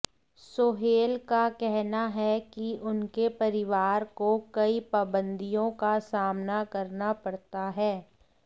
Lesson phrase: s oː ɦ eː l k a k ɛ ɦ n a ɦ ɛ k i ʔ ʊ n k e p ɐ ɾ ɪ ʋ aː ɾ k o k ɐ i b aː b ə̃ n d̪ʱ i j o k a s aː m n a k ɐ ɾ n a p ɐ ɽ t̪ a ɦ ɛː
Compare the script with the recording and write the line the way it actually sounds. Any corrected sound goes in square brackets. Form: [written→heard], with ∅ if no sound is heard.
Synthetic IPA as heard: s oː ɦ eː l k a k ɛ ɦ n a ɦ ɛ k i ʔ ʊ n k e p ɐ ɾ ɪ ʋ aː ɾ k o k ɐ i [b→p] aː b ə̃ n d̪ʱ i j [o→õ] k a s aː m n a k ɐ ɾ n a p ɐ ɽ t̪ a ɦ ɛː